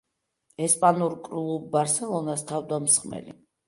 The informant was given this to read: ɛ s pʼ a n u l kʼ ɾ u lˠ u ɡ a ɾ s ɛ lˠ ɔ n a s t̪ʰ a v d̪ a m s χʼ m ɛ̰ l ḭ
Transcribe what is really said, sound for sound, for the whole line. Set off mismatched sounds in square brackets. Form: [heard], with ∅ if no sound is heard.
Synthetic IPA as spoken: ɛ s pʼ a n u [ɾ] kʼ ɾ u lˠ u [b] a ɾ s ɛ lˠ ɔ n a s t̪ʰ a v d̪ a m s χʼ m ɛ̰ l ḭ